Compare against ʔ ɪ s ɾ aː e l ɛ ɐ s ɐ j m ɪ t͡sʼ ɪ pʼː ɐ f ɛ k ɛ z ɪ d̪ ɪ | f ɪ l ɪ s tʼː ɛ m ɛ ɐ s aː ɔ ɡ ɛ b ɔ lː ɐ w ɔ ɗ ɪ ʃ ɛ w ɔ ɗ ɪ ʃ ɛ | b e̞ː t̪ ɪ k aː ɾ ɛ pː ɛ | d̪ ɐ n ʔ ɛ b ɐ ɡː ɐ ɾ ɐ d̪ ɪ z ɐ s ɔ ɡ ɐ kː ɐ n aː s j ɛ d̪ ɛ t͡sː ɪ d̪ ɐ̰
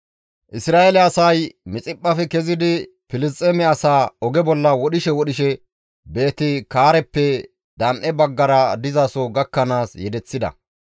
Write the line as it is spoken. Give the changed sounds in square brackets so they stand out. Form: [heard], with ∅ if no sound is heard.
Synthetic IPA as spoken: ʔ ɪ s ɾ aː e l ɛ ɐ s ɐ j m ɪ t͡sʼ ɪ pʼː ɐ f ɛ k ɛ z ɪ d̪ ɪ | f ɪ l ɪ s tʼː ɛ m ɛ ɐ s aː ɔ ɡ ɛ b ɔ lː ɐ w ɔ ɗ ɪ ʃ ɛ w ɔ ɗ ɪ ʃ ɛ | b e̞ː t̪ ɪ k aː ɾ ɛ pː ɛ | d̪ ɐ n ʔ ɛ b ɐ ɡː ɐ ɾ ɐ d̪ ɪ z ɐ s ɔ ɡ ɐ kː ɐ n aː s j ɛ d̪ ɛ t͡sː ɪ d̪ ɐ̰